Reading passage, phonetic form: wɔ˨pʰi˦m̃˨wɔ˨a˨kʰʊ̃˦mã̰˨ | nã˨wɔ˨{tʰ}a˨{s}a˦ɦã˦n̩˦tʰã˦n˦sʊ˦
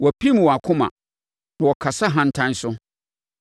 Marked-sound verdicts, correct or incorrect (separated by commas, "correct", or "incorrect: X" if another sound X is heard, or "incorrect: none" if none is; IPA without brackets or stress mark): incorrect: kʰ, correct